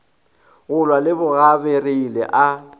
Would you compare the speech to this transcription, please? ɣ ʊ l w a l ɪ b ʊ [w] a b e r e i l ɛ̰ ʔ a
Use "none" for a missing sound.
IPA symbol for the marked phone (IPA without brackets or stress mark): ɣ